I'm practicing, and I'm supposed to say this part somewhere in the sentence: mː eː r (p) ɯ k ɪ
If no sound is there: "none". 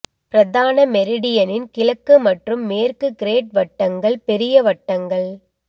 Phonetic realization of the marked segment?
k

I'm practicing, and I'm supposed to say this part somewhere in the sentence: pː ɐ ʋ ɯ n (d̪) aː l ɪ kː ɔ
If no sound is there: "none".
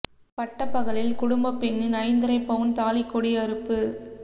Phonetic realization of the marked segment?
t̪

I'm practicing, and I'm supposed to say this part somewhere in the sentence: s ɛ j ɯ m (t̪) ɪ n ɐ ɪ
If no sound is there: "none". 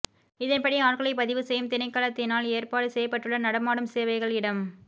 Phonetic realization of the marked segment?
t̪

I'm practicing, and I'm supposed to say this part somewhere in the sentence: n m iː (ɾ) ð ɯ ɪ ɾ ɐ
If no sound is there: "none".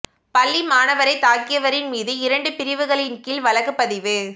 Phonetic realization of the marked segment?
none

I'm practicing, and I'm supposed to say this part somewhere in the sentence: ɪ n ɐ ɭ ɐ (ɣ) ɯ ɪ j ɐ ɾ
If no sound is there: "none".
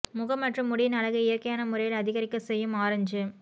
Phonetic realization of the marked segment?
ɣ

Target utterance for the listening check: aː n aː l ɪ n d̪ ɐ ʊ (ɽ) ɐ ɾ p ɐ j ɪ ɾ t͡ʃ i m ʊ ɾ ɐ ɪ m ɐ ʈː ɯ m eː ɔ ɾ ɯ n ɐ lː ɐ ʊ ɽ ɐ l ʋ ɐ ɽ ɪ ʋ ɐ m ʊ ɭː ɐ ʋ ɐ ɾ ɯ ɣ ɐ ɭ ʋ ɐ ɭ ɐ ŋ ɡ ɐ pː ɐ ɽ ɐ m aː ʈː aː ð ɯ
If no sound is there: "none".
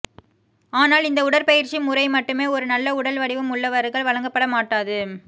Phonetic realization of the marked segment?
ɽ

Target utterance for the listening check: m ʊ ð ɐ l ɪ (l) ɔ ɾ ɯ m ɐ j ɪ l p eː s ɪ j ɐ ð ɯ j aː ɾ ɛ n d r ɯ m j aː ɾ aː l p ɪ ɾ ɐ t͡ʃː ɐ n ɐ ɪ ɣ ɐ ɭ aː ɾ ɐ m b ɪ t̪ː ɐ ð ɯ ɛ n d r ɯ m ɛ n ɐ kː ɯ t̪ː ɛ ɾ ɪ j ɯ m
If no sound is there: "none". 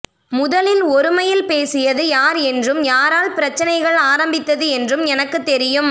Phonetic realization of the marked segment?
l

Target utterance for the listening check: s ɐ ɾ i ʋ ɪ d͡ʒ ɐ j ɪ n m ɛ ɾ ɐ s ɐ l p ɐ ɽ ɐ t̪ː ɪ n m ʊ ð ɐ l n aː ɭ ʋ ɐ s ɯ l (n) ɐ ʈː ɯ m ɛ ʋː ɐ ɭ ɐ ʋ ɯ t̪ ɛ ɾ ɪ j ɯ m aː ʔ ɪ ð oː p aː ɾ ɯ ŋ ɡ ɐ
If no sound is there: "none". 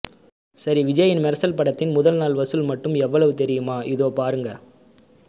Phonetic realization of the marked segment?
m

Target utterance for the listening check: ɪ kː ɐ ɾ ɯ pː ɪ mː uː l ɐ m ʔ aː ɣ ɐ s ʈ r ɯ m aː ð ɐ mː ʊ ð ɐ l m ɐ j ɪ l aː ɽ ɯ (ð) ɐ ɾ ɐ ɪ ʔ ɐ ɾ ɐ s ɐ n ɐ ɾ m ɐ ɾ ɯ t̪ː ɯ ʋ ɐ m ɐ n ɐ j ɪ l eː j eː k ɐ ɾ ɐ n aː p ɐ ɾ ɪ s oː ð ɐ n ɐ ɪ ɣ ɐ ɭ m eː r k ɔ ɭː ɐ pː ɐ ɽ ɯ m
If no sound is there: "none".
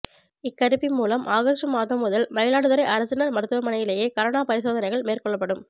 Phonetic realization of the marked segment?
ð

